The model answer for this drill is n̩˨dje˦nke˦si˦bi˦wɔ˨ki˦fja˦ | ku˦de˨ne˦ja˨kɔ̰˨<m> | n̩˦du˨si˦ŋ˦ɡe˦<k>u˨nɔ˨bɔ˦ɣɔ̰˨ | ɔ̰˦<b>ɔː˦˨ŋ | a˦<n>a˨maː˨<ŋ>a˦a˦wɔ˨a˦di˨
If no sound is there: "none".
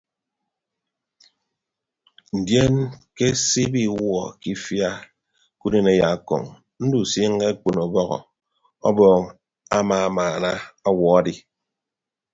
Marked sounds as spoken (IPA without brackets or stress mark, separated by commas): ŋ, k͡p, b, m, n